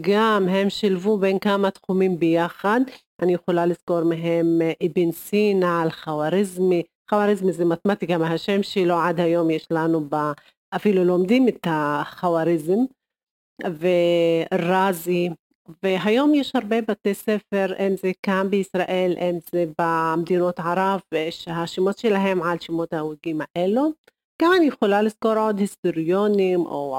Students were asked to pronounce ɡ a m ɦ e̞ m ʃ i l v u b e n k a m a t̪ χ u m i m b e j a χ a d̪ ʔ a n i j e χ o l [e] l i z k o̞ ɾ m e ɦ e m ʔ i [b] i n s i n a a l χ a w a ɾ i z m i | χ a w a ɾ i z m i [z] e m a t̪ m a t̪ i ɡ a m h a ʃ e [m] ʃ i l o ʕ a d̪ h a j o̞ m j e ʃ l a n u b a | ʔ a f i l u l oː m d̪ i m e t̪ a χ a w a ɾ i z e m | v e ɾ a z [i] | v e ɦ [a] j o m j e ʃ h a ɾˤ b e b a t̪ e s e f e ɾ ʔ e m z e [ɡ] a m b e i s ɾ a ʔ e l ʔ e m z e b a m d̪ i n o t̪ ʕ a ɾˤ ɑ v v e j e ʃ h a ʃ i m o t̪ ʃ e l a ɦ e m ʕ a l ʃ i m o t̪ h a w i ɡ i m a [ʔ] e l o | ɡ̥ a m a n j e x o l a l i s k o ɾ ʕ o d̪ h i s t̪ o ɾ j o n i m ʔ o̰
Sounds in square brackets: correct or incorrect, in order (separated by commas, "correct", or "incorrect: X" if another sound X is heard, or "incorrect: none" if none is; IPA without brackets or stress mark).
incorrect: a, correct, correct, correct, correct, correct, incorrect: k, correct